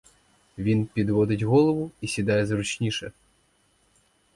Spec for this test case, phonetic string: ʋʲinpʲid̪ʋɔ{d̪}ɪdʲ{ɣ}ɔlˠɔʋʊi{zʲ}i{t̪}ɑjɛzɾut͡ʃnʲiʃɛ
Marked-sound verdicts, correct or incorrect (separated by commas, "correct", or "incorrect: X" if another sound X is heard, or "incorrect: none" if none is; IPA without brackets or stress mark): correct, correct, incorrect: sʲ, incorrect: d̪